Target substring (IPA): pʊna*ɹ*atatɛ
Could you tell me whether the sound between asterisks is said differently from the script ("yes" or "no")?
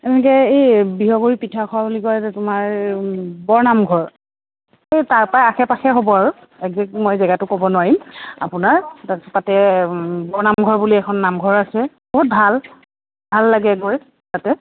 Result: no